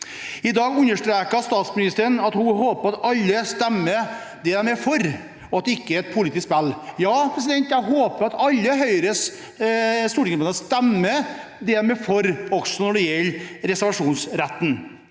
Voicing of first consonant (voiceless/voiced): voiced